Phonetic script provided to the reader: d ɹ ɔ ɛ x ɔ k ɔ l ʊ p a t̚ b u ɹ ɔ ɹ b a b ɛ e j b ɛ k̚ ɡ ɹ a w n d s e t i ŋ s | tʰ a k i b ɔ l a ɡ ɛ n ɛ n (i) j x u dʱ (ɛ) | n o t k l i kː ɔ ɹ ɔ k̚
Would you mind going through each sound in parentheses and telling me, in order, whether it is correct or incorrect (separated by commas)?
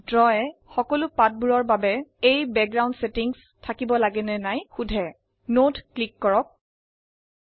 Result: incorrect, correct